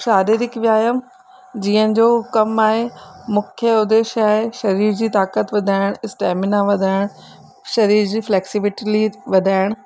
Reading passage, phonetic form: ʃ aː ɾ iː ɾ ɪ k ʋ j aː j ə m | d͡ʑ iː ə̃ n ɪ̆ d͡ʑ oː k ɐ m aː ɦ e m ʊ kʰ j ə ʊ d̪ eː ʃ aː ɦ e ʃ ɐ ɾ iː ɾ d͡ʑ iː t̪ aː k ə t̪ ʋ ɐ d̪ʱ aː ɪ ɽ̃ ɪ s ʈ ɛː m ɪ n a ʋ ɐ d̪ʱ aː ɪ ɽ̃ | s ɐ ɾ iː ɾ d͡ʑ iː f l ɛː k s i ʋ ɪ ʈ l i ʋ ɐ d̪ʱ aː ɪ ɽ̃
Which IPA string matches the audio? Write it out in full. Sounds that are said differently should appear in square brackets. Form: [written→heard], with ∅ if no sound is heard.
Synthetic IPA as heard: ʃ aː ɾ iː ɾ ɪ k ʋ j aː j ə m | d͡ʑ iː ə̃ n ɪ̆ d͡ʑ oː k ɐ m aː ɦ e m ʊ kʰ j ə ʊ d̪ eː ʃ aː ɦ e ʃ ɐ ɾ iː ɾ d͡ʑ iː t̪ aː k ə t̪ ʋ ɐ d̪ʱ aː ɪ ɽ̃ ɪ s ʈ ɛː m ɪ n a ʋ ɐ d̪ʱ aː ɪ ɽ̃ | [s→ʃ] ɐ ɾ iː ɾ d͡ʑ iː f l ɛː k s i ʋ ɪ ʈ l i ʋ ɐ d̪ʱ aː ɪ ɽ̃